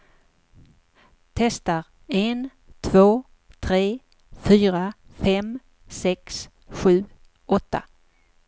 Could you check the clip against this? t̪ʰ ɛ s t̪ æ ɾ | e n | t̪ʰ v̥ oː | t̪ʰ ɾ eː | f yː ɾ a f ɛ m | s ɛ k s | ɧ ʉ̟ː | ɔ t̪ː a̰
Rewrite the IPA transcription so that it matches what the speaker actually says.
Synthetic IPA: t̪ʰ ɛ s t̪ a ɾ | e n | t̪ʰ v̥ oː | t̪ʰ ɾ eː | f yː ɾ a f ɛ m | s ɛ k s | ɧ ʉ̟ː | ɔ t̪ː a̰